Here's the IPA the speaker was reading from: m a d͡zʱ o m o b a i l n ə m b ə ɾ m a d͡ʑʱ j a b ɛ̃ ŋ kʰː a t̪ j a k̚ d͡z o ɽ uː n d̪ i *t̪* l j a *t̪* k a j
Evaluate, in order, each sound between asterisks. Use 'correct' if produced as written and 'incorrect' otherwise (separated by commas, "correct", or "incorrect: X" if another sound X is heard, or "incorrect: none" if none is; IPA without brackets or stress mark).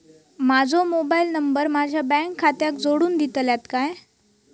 correct, correct